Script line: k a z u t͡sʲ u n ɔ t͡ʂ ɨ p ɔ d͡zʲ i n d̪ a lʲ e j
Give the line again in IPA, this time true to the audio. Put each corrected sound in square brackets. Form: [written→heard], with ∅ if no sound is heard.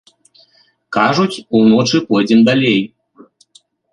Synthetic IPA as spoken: k a [z→ʐ] u t͡sʲ u n ɔ t͡ʂ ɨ p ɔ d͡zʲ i n d̪ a lʲ e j